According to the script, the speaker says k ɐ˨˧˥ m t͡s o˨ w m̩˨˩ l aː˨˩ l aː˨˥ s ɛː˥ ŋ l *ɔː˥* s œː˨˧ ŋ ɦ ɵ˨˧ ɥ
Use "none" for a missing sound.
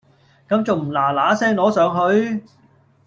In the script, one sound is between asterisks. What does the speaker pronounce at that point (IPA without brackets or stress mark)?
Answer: ɔː˨˥